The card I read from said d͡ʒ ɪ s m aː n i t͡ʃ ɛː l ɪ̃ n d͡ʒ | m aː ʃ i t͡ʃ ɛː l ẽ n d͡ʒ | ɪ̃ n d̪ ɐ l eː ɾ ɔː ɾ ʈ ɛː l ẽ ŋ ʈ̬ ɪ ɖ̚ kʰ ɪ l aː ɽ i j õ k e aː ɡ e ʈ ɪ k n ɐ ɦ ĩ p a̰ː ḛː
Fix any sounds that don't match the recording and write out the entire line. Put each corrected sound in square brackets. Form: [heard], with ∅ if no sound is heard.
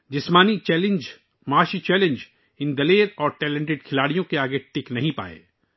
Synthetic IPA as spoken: d͡ʒ ɪ s m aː n i t͡ʃ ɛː l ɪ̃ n d͡ʒ | m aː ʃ i t͡ʃ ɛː l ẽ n d͡ʒ | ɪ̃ n d̪ ɐ l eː ɾ ɔː ɾ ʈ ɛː l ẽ [ɳ] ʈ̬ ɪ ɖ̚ kʰ ɪ l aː ɽ i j õ k e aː ɡ e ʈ ɪ k n ɐ ɦ ĩ p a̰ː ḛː

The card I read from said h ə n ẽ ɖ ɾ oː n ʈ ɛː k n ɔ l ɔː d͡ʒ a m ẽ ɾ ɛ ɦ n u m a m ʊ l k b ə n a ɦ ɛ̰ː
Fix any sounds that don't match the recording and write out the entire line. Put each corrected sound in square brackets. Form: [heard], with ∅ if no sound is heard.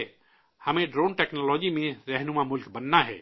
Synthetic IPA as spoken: h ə [m] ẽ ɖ ɾ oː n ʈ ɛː k n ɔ l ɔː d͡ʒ [i] m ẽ ɾ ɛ ɦ n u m a m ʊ l k b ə [nː] a ɦ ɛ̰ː

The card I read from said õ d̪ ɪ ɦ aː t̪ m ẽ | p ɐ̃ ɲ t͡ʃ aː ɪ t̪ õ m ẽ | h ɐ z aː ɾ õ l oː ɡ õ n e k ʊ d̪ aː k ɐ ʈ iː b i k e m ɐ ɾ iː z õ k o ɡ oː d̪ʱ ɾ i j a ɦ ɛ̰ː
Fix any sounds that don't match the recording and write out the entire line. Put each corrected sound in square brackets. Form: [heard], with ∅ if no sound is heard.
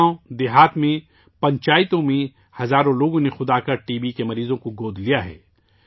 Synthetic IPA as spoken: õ d̪ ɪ ɦ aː t̪ m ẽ | p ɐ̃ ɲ t͡ʃ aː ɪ t̪ õ m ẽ | h ɐ z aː ɾ õ l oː ɡ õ n e [x] ʊ d̪ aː k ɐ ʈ iː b i k e m ɐ ɾ iː z õ k o ɡ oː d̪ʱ [l] i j a ɦ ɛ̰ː

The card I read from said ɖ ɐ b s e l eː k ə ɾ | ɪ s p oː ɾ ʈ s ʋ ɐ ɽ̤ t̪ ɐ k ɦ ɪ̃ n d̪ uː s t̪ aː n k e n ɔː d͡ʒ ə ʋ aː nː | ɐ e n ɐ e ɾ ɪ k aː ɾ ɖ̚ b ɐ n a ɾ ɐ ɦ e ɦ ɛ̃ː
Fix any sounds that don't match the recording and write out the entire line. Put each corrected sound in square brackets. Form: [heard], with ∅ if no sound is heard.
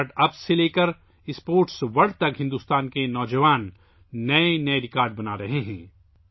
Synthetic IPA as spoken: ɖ ɐ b s e l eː k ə ɾ | ɪ s p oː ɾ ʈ s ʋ ɐ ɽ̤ t̪ ɐ k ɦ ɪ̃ n d̪ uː s t̪ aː n k e n ɔː d͡ʒ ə ʋ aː nː | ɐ e n ɐ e ɾ ɪ k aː ɾ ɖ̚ b ɐ n a ɾ ɐ ɦ e ɦ ɛ̃ː

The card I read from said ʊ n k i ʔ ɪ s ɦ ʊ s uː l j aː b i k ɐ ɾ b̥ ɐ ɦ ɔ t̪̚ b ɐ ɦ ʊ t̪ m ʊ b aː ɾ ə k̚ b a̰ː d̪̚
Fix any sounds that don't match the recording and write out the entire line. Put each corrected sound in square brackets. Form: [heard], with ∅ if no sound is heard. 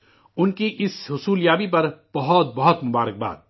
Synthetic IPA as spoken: ʊ n k i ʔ ɪ s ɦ ʊ s uː l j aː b i [p] ɐ ɾ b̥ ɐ ɦ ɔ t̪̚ b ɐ ɦ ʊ t̪ m ʊ b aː ɾ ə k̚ b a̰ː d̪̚

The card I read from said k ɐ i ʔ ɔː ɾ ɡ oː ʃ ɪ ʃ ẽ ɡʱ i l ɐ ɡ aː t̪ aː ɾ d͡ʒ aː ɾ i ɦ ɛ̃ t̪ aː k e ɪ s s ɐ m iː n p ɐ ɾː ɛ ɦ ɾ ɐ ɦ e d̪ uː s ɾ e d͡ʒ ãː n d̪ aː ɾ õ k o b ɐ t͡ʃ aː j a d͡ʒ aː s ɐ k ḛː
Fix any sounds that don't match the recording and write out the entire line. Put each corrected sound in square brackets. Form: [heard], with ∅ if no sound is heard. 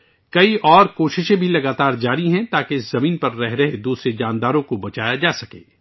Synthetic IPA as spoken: k ɐ i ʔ ɔː ɾ [k] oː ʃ ɪ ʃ ẽ [bʱ] i l ɐ ɡ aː t̪ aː ɾ d͡ʒ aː ɾ i ɦ ɛ̃ t̪ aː k e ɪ s [z] ɐ m iː n p ɐ ɾː ɛ ɦ ɾ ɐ ɦ e d̪ uː s ɾ e d͡ʒ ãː n d̪ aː ɾ õ k o b ɐ t͡ʃ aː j a d͡ʒ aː s ɐ k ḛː

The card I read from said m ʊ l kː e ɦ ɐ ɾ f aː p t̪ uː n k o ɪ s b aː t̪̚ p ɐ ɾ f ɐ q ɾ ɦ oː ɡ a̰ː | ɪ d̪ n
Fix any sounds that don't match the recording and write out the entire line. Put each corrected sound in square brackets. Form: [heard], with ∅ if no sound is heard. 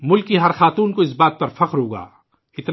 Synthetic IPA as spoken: m ʊ l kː [i] ɦ ɐ ɾ [x] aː [∅] t̪ uː n k o ɪ s b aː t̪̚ p ɐ ɾ f ɐ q ɾ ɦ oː ɡ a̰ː | ɪ [t̪] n

